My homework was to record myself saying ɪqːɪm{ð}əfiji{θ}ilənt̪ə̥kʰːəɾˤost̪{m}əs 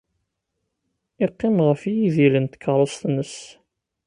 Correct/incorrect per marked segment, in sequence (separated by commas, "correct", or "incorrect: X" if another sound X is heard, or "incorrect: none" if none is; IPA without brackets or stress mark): incorrect: ʁ, incorrect: ð, incorrect: n